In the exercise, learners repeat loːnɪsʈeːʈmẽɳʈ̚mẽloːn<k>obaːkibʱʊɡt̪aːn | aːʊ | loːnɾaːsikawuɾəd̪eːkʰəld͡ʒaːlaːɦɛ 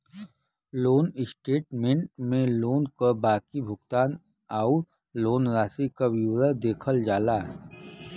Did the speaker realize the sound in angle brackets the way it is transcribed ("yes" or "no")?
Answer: yes